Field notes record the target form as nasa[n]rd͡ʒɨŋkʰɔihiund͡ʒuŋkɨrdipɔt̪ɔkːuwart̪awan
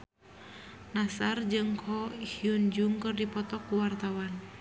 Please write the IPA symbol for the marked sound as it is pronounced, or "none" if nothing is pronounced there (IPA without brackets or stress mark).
none